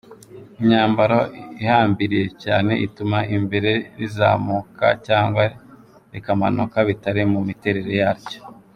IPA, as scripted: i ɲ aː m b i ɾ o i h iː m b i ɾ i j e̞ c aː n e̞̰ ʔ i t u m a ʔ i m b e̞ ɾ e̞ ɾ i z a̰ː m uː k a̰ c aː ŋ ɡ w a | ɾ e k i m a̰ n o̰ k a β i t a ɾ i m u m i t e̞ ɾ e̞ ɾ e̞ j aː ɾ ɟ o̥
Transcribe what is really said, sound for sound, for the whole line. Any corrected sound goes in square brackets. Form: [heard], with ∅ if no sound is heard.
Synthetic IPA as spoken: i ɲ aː m b [a] ɾ o i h [aː] m b i ɾ i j e̞ c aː n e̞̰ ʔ i t u m a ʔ i m b e̞ ɾ e̞ ɾ i z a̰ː m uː k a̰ c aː ŋ ɡ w a | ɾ e k [a] m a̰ n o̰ k a β i t a ɾ i m u m i t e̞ ɾ e̞ ɾ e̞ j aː ɾ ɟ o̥